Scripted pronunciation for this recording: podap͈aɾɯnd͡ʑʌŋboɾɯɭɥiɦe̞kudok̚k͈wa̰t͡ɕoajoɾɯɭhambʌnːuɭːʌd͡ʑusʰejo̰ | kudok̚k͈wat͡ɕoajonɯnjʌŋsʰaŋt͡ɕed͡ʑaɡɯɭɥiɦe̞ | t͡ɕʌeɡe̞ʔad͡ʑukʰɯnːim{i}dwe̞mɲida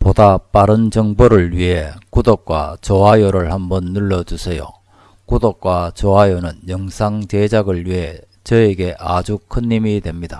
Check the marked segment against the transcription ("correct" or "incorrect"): correct